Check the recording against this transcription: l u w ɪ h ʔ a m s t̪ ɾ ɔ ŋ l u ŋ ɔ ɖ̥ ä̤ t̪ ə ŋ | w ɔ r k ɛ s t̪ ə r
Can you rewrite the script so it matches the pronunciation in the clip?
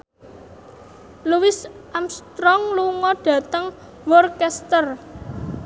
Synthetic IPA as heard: l u w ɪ s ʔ a m s t̪ ɾ ɔ ŋ l u ŋ ɔ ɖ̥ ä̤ t̪ ə ŋ | w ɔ r k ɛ s t̪ ə r